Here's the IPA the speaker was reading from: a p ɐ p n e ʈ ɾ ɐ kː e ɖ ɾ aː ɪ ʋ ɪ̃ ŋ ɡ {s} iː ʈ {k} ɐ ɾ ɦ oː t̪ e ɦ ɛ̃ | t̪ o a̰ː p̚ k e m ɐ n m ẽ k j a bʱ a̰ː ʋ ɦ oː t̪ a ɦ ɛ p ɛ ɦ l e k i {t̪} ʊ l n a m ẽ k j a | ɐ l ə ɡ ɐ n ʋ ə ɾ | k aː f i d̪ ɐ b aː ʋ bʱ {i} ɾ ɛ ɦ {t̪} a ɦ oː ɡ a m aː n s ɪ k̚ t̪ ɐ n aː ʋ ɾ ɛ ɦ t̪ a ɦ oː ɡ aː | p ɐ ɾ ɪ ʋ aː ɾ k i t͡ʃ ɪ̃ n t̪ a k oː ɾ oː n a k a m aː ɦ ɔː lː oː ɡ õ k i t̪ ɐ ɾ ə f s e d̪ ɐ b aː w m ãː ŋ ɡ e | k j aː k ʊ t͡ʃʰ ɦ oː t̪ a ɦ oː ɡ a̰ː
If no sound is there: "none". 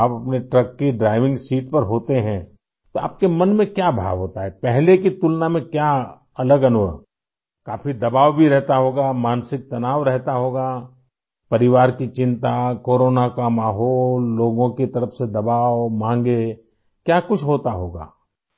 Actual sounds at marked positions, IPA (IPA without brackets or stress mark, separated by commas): s, p, t̪, i, t̪